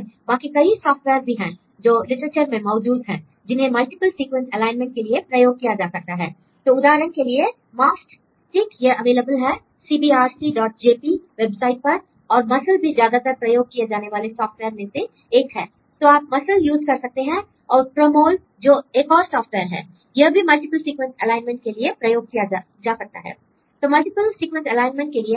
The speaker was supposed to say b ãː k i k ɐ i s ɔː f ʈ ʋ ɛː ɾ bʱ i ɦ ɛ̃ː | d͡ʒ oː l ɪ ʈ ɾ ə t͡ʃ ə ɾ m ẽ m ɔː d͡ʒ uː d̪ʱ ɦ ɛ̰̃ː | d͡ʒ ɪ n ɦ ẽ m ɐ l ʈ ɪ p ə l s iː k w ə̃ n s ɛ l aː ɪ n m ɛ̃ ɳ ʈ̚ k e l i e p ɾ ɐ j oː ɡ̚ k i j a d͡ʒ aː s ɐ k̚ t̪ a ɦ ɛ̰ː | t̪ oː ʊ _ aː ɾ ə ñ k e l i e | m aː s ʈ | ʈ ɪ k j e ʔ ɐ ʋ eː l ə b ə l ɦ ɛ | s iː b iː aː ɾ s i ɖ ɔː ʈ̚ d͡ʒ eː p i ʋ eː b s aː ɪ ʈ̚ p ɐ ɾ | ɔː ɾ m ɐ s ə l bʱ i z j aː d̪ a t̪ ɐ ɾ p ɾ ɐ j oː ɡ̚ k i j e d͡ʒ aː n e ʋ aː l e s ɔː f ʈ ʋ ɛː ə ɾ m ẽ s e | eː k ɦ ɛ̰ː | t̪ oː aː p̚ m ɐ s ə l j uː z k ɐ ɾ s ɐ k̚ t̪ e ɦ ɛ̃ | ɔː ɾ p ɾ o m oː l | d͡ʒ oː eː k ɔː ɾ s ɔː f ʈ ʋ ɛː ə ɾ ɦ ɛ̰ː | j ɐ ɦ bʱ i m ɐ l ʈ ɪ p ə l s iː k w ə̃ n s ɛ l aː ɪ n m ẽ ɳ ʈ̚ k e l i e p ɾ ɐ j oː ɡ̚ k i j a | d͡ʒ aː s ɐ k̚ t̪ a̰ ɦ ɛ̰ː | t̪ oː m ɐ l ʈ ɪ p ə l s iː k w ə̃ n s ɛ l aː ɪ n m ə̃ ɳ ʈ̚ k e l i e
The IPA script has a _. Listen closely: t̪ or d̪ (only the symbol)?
d̪